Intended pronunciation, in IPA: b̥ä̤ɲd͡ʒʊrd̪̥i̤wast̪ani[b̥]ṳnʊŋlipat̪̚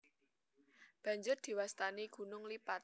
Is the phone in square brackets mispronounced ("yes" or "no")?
yes